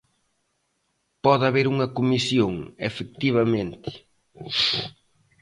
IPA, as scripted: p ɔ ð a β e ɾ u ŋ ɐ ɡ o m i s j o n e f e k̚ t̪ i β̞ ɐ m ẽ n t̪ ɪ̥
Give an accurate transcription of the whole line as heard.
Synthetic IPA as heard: p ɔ ð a β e ɾ u ŋ ɐ k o m i s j o ŋ e f e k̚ t̪ i β̞ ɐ m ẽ n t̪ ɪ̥